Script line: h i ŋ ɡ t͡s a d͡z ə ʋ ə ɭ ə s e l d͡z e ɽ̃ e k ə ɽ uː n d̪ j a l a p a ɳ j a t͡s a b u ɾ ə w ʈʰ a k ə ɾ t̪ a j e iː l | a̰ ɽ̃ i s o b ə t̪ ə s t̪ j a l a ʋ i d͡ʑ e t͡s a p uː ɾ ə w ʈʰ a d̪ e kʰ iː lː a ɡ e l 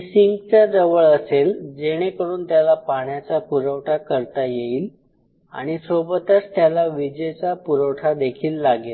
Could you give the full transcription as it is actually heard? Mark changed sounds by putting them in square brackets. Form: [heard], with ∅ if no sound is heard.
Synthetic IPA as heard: [s] i ŋ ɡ t͡s a d͡z ə ʋ ə ɭ ə s e l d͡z e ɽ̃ e k ə ɽ uː n [t̪] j a l a p a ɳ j a t͡s a [p] u ɾ ə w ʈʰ a k ə ɾ t̪ a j e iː l | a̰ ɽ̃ i s o b ə t̪ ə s t̪ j a l a ʋ i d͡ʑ e t͡s a p [u] ɾ ə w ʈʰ a d̪ e kʰ iː lː a ɡ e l